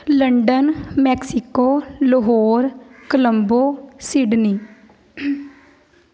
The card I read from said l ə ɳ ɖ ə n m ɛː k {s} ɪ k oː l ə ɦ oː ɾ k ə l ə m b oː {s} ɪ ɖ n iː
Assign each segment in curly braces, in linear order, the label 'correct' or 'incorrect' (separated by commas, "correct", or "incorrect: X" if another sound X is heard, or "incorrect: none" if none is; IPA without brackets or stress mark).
correct, correct